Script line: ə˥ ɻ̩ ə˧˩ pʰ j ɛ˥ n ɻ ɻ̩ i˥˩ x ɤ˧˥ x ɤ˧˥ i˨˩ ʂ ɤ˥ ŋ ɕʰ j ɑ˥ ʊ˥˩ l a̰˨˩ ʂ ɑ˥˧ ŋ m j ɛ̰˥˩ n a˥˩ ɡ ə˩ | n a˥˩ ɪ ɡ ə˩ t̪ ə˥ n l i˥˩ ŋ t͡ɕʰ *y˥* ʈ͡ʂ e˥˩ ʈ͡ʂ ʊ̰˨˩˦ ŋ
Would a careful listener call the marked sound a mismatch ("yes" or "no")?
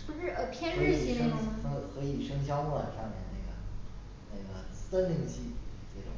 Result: yes